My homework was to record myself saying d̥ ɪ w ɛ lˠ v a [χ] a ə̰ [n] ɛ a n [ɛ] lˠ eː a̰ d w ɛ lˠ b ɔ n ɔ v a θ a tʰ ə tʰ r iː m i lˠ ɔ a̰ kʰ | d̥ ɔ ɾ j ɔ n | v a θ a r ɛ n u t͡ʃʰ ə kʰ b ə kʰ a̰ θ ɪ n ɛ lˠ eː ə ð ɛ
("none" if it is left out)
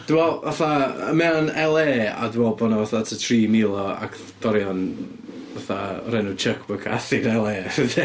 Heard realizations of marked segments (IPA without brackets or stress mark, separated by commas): θ, m, ɛ